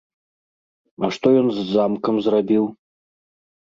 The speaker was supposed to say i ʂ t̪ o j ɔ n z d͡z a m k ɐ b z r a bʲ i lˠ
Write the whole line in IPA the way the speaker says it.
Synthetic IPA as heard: a ʂ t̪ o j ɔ n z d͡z a m k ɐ m z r a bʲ i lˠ